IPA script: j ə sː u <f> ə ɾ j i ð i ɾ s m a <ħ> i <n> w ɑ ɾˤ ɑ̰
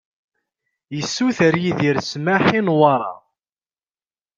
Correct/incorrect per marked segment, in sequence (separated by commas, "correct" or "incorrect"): incorrect, correct, correct